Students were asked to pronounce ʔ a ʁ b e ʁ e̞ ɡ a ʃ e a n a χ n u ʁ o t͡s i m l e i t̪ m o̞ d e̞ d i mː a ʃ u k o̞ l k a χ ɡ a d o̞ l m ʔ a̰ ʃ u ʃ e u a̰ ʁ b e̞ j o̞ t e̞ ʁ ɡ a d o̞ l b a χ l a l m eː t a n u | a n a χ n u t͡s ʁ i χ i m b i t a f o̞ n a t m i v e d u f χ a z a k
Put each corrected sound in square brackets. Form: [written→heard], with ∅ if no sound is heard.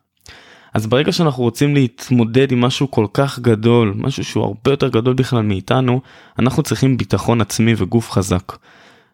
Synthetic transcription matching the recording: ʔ a [ʁ→z] b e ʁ e̞ ɡ a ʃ e a n a χ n u ʁ o t͡s i m l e i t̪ m o̞ d e̞ d i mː a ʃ u k o̞ l k a χ ɡ a d o̞ l m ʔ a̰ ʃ u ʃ e u a̰ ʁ b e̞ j o̞ t e̞ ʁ ɡ a d o̞ l b [a→i] χ l a l m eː t a n u | a n a χ n u t͡s ʁ i χ i m b i t a [f→χ] o̞ n a [t→t͡s] m i v e [d→ɡ] u f χ a z a k